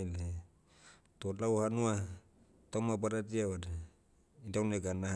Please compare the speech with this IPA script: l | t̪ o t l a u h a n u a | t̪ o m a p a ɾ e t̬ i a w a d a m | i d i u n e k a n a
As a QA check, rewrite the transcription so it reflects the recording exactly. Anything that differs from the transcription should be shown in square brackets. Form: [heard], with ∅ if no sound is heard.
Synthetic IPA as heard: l | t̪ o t l a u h a n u a | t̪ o m a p a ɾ [a] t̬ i a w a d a [∅] | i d [a] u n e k a n a